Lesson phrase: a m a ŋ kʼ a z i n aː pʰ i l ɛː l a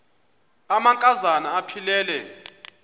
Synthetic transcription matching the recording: a m a ŋ kʼ a z a n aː pʰ i l ɛː l ɛ